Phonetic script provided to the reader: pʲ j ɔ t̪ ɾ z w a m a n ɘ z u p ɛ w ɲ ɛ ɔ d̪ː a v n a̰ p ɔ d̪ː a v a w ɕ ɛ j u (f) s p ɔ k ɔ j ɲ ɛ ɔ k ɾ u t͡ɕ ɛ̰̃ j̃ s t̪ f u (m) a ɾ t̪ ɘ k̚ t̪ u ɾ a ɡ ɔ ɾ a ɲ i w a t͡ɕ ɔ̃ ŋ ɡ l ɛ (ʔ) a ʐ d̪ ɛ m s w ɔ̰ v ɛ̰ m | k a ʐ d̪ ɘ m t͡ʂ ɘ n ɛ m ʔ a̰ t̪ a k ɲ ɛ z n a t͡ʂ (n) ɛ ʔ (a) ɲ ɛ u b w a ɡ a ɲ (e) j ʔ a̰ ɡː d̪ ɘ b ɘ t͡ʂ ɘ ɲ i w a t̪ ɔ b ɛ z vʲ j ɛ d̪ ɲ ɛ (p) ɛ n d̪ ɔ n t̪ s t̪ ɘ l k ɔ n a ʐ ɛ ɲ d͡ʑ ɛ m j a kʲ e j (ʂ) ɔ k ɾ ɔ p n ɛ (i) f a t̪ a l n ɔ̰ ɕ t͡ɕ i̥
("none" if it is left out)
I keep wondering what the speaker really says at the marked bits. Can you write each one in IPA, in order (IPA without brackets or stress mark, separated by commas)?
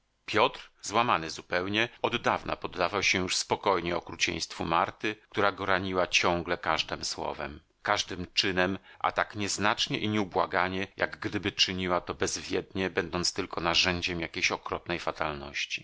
ʂ, m, k, ɲ, i, ɛ, b, ɕ, j